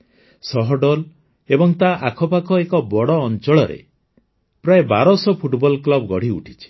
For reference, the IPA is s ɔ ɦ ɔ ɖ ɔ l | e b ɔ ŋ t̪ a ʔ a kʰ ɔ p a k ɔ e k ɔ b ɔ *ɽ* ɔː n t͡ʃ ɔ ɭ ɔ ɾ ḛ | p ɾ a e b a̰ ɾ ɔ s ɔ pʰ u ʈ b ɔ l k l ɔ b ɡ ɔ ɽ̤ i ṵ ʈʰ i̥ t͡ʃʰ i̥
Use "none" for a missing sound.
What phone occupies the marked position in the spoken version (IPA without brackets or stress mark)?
ɽ